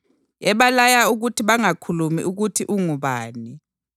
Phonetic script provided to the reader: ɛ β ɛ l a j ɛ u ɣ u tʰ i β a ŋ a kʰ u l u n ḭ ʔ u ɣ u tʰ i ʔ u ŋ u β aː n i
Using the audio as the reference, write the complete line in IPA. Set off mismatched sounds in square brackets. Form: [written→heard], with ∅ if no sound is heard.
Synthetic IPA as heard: ɛ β [ɛ→a] l a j [ɛ→a] u ɣ u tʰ i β a ŋ a kʰ u l u [n→m] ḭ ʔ u ɣ u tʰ i ʔ u ŋ u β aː n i